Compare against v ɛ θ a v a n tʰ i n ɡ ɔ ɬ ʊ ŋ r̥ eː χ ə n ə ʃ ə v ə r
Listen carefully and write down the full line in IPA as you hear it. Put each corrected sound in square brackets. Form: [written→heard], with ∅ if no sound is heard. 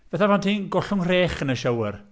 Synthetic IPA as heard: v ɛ θ a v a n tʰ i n ɡ ɔ ɬ ʊ ŋ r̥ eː χ ə n ə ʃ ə [v→w] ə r